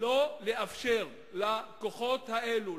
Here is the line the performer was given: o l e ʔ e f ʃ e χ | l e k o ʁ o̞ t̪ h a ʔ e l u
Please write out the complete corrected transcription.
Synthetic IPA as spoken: o l e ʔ a f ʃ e ʁ | l a k o χ o̞ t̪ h a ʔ e l u